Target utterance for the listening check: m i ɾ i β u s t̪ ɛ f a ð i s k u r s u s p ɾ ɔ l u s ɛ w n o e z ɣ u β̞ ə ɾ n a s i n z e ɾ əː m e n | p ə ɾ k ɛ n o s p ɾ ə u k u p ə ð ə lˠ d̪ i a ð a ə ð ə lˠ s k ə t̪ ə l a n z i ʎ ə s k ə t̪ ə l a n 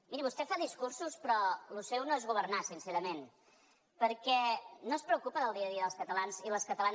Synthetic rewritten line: m i ɾ i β u s t̪ ɛ f a ð i s k u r s u s p ɾ ɔ l u s ɛ w n o e z ɣ u β̞ ə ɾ n a s i n s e ɾ ə m e n | p ə ɾ k ɛ n o s p ɾ ə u k u p ə ð ə lˠ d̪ i ə ð i ə ð ə lˠ s k ə t̪ ə l a n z i l ə s k ə t̪ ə l a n